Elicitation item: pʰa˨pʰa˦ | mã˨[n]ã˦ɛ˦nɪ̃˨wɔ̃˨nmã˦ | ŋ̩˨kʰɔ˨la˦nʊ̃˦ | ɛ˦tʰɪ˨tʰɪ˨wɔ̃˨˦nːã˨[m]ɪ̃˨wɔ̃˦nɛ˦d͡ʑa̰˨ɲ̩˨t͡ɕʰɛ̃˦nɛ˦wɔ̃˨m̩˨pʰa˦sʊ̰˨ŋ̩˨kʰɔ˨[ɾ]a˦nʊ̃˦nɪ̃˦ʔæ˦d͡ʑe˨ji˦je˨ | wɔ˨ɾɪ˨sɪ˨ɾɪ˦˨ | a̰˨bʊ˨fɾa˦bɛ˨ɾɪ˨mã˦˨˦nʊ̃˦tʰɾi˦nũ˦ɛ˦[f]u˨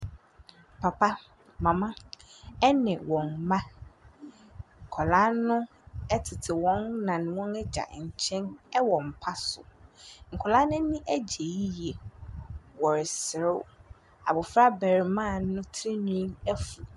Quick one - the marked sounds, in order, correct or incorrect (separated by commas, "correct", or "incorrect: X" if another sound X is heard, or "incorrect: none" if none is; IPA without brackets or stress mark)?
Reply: incorrect: m, incorrect: n, incorrect: l, correct